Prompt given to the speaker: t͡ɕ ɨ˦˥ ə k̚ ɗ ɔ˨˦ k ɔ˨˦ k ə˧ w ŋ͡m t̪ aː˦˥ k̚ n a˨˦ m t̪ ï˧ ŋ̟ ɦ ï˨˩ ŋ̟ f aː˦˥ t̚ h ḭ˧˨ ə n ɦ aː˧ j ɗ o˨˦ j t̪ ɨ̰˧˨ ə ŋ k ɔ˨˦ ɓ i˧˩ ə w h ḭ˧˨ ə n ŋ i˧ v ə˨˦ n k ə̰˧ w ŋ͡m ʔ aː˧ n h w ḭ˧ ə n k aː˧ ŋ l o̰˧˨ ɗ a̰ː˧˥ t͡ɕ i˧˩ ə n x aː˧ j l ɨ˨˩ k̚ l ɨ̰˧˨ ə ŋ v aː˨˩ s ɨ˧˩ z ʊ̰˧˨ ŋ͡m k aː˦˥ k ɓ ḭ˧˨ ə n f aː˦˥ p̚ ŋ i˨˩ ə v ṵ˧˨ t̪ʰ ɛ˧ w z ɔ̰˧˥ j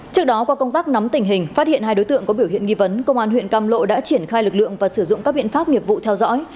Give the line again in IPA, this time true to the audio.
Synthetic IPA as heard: t͡ɕ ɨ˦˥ ə k̚ ɗ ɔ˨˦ k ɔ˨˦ k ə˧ w ŋ͡m t̪ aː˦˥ k̚ n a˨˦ m t̪ ï˨˩ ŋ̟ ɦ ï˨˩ ŋ̟ f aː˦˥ t̚ h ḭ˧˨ ə n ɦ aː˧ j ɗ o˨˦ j t̪ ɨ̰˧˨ ə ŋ k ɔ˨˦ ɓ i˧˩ ə w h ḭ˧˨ ə n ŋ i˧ v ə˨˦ n k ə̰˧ w ŋ͡m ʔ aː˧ n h w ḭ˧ ə n k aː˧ m l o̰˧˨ ɗ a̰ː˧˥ t͡ɕ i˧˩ ə n x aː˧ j l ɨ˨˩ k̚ l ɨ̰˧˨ ə ŋ v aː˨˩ s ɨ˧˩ z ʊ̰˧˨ ŋ͡m k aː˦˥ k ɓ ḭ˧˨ ə n f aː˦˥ p̚ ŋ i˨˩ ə v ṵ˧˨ t̪ʰ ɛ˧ w z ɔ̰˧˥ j

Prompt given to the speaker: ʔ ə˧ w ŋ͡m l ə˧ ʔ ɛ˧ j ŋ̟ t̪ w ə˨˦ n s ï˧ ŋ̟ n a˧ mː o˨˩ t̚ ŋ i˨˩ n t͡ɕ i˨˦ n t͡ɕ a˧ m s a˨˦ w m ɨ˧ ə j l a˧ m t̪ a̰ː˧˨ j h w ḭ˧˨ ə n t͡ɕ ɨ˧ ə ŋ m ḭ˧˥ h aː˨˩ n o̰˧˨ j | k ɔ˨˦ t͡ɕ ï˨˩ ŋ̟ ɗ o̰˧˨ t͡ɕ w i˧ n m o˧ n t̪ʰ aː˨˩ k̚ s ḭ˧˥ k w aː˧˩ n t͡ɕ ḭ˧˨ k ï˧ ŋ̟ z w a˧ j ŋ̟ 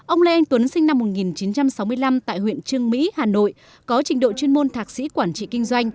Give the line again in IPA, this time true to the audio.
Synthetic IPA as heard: ʔ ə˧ w ŋ͡m l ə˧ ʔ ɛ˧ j ŋ̟ t̪ w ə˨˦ n s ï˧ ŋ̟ n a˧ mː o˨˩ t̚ ŋ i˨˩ n t͡ɕ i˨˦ n t͡ɕ a˧ m s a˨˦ w m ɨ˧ ə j l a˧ m t̪ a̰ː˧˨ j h w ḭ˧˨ ə n t͡ɕ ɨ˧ ə ŋ m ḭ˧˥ h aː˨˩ n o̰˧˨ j | k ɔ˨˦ t͡ɕ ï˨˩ ŋ̟ ɗ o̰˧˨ t͡ɕ w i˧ n m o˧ n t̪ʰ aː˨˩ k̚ s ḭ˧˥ k w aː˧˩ n t͡ɕ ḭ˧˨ k ï˧ ŋ̟ z w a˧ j ŋ̟

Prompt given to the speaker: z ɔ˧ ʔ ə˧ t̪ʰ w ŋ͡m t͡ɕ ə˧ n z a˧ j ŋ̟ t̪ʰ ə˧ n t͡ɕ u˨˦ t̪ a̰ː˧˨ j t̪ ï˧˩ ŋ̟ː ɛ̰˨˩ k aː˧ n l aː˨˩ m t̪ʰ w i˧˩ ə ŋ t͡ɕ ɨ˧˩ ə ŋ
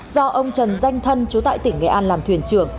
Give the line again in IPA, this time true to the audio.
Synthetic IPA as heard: z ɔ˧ ʔ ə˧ w ŋ͡m t͡ɕ ə˨˩ n z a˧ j ŋ̟ t̪ʰ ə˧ n t͡ɕ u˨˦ t̪ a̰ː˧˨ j t̪ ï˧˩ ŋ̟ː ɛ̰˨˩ ʔ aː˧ n l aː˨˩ m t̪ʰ w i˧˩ ə n t͡ɕ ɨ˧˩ ə ŋ

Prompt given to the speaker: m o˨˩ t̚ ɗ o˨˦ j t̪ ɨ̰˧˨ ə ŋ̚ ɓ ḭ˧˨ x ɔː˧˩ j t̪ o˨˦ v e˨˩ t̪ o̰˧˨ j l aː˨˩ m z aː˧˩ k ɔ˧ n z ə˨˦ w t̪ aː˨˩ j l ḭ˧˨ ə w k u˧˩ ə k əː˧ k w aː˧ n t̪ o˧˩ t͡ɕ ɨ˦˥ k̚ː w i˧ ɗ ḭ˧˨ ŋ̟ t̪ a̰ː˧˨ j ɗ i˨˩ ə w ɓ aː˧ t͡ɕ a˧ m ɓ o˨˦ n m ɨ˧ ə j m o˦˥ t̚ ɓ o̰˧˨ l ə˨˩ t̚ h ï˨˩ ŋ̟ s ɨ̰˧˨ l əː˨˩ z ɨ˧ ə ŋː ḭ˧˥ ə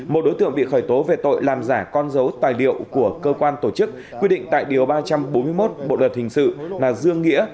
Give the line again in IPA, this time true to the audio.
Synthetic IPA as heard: m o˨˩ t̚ ɗ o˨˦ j t̪ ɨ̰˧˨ ə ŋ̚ ɓ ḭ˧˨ x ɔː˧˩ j t̪ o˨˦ v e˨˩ t̪ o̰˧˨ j l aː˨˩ m z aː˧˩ k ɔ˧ n z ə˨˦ w t̪ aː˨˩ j l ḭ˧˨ ə w k u˧˩ ə k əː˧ k w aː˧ n t̪ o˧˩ t͡ɕ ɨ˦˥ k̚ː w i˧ ɗ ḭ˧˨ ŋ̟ t̪ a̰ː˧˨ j ɗ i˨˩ ə w ɓ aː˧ t͡ɕ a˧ m ɓ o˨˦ n m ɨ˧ ə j m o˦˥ t̚ ɓ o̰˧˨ l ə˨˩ t̚ h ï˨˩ ŋ̟ s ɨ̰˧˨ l aː˨˩ z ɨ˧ ə ŋː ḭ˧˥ ə

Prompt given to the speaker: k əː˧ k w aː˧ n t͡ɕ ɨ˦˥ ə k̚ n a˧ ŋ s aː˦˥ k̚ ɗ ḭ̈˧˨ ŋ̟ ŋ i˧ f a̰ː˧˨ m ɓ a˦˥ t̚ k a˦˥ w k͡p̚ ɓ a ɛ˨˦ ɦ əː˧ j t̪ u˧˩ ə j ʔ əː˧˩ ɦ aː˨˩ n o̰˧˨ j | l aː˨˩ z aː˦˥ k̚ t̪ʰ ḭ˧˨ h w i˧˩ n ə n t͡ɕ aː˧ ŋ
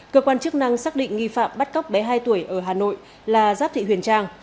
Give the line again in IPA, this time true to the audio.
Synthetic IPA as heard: k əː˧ k w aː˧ n t͡ɕ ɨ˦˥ ə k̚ n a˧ ŋ s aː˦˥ k̚ ɗ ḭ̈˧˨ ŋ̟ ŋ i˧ f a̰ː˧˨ m ɓ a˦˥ t̚ k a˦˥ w k͡p̚ ɓ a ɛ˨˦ ɦ aː˧ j t̪ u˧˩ ə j ʔ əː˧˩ ɦ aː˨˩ n o̰˧˨ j | l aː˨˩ z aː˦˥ p̚ t̪ʰ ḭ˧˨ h w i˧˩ ə n t͡ɕ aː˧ ŋ

